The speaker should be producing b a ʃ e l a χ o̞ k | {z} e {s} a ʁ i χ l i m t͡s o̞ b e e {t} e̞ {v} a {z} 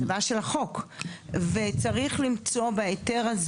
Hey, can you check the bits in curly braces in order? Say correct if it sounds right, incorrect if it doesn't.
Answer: incorrect: v, incorrect: t͡s, correct, incorrect: ʁ, correct

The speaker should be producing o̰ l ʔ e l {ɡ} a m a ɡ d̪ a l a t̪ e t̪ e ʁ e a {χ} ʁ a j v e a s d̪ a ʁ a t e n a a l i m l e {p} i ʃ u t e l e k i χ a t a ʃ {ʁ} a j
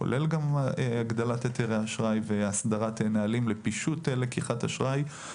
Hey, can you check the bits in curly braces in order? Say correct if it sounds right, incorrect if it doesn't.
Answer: correct, incorrect: ʃ, correct, correct

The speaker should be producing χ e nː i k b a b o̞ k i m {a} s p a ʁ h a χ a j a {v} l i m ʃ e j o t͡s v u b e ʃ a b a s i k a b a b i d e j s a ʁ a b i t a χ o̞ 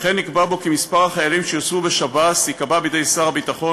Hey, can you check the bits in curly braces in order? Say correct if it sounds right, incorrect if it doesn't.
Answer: incorrect: i, incorrect: none

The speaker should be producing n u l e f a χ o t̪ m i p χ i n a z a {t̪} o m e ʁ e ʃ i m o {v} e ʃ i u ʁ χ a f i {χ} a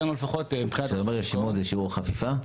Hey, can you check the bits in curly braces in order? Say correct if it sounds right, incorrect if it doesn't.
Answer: incorrect: none, incorrect: z, incorrect: f

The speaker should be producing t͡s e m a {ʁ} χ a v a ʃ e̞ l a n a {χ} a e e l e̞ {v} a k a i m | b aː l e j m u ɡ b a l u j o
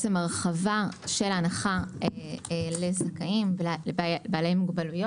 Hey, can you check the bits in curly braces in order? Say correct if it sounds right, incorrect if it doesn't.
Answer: correct, correct, incorrect: z

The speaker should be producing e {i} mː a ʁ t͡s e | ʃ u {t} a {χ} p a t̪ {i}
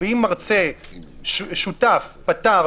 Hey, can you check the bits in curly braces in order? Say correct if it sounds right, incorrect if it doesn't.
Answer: correct, correct, incorrect: f, incorrect: a

